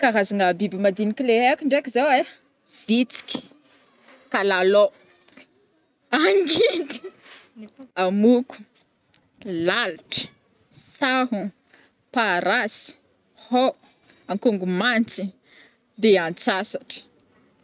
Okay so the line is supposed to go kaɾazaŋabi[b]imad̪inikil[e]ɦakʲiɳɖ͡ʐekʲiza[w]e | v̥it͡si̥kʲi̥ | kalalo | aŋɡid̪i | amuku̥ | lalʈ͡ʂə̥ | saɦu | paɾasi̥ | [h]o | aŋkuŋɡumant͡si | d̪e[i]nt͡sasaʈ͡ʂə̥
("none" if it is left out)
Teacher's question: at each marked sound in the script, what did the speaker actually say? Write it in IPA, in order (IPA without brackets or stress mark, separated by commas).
b, e, w, h, a